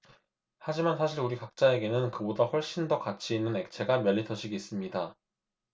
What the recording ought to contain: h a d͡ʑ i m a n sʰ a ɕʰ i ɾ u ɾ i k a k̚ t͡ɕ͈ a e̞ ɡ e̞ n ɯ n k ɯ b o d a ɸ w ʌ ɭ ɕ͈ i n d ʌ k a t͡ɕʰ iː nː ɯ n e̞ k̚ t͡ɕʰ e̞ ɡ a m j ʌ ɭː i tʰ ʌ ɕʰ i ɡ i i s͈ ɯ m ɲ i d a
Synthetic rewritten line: h a d͡ʑ i m a n sʰ a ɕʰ i ɾ u ɾ i k a k̚ t͡ɕ͈ a e̞ ɡ e̞ n ɯ n k ɯ b o d a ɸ w ʌ ɭ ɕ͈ i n d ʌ k a t͡ɕʰ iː nː ɯ n e̞ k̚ t͡ɕʰ e̞ ɡ a m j ʌ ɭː i tʰ ʌ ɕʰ i ɡ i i s͈ ɯ m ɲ i d a